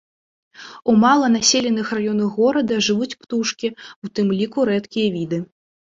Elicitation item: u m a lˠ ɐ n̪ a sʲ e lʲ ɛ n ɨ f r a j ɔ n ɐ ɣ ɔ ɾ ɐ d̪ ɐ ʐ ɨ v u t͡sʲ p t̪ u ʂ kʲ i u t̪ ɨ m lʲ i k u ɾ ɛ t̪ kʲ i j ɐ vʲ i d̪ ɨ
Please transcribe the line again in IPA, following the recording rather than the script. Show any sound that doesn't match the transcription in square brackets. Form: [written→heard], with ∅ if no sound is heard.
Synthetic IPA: u m a lˠ ɐ n̪ a sʲ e lʲ ɛ n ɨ [f→x] r a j ɔ n ɐ ɣ ɔ ɾ ɐ d̪ ɐ ʐ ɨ v u t͡sʲ p t̪ u ʂ kʲ i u t̪ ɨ m lʲ i k u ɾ ɛ t̪ kʲ i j ɐ vʲ i d̪ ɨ